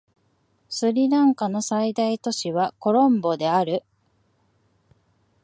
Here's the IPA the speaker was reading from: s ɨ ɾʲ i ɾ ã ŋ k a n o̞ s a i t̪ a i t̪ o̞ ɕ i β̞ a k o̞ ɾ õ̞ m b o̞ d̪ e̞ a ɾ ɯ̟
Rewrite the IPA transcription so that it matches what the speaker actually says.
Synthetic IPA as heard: s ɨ ɾʲ i ɾ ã ŋ k a n o̞ s a i d̪ a i t̪ o̞ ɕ i β̞ a k o̞ ɾ õ̞ m b o̞ d̪ e̞ a ɾ ɯ̟